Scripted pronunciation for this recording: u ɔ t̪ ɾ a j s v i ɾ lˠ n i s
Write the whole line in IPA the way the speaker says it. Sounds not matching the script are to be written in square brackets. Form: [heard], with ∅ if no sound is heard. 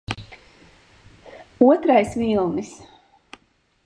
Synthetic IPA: u ɔ t̪ ɾ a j s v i [∅] lˠ n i s

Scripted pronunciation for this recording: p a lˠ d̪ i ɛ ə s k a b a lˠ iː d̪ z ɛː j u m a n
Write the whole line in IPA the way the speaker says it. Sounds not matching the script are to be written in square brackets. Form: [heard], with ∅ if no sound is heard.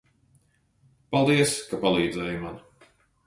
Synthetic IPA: p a lˠ d̪ i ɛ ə s k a [p] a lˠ iː d̪ z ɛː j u m a n

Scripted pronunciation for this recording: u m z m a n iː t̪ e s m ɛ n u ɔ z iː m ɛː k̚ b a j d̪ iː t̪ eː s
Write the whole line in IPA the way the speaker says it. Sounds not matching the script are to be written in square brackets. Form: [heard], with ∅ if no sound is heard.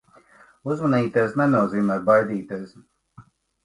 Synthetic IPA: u [∅] z m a n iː t̪ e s [n] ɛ n u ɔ z iː m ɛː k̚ b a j d̪ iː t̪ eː s

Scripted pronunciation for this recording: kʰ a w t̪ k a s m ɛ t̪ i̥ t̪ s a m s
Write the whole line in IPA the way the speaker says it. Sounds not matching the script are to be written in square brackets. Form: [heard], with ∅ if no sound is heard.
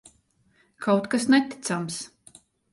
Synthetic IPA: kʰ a w t̪ k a s [n] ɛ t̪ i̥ t̪ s a m s

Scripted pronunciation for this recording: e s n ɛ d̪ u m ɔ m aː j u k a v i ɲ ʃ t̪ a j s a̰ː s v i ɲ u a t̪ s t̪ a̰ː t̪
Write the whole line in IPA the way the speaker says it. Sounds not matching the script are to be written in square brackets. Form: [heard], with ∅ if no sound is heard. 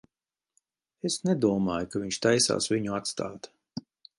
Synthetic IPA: e s n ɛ d̪ u [∅] ɔ m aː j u k a v i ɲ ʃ t̪ a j s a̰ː s v i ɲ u a t̪ s t̪ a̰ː t̪

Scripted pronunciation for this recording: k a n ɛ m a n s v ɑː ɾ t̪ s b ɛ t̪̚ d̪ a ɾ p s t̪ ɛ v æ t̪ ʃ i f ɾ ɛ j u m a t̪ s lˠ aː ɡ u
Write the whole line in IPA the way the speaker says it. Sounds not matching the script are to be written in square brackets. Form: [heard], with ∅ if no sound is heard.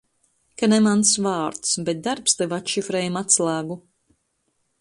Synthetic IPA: k a n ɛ m a n s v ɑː ɾ t̪ s b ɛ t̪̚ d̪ a ɾ p s t̪ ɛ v [a] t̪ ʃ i f ɾ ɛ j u m a t̪ s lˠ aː ɡ u

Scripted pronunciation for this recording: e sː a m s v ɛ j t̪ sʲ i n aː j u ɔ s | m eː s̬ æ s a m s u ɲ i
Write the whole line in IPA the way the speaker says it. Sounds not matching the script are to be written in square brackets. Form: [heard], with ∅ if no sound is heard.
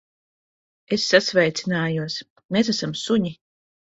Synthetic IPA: e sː a [∅] s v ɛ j t̪ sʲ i n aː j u ɔ s | m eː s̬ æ s a m s u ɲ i

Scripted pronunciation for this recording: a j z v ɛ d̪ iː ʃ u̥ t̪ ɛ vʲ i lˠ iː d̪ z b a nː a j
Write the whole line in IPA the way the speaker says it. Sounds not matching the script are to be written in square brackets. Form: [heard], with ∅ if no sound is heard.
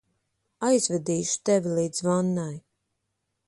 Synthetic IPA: a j z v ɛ d̪ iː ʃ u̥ t̪ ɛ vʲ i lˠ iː d̪ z [v] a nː a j

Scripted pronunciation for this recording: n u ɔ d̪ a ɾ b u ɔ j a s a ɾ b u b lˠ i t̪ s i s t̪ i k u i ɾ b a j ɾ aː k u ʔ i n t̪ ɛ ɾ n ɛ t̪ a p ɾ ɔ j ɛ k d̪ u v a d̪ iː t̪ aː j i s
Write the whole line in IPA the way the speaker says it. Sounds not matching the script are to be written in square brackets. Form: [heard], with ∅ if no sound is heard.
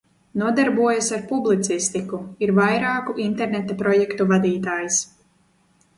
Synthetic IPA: n u ɔ d̪ a ɾ b u ɔ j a s a ɾ [p] u b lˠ i t̪ s i s t̪ i k u i ɾ [v] a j ɾ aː k u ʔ i n t̪ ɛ ɾ n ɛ t̪ a p ɾ ɔ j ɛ k [t̪] u v a d̪ iː t̪ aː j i s

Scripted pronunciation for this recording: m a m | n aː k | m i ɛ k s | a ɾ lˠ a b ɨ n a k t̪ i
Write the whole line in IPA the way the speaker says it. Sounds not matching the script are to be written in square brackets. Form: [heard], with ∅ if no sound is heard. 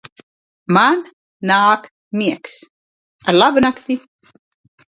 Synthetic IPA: m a [n] | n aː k | m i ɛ k s | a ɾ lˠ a b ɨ n a k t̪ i

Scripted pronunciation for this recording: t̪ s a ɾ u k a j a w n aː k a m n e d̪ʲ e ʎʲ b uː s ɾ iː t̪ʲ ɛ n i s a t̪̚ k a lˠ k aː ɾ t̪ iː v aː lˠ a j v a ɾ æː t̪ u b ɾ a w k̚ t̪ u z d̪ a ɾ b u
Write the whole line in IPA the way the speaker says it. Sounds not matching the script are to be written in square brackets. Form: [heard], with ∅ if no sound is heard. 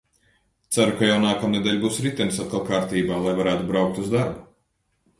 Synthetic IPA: t̪ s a ɾ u k a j a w n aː k a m n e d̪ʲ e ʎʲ b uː s ɾ [i] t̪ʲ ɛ n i s a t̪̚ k a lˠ k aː ɾ t̪ iː [b] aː lˠ a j v a ɾ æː t̪ u b ɾ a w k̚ t̪ u z d̪ a ɾ b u

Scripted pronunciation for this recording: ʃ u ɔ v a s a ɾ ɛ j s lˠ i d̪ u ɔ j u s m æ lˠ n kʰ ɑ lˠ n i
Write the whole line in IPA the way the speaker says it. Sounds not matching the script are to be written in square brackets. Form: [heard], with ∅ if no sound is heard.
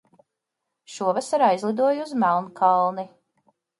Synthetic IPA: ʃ u ɔ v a s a ɾ [a] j [z] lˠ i d̪ u ɔ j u [z] m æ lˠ n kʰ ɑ lˠ n i

